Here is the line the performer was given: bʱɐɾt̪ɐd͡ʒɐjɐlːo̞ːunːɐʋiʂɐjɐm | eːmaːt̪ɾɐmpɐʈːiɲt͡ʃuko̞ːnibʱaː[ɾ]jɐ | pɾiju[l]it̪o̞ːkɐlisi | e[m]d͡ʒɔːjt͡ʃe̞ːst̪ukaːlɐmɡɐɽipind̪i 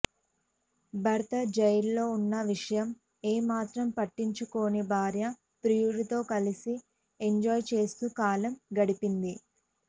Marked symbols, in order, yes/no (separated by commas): yes, no, no